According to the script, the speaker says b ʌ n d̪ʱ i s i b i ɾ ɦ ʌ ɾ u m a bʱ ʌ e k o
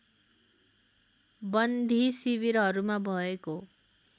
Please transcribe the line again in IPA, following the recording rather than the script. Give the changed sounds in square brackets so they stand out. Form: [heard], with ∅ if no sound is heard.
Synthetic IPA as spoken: b ʌ n d̪ʱ i s i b i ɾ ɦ ʌ ɾ u m a bʱ ʌ e k o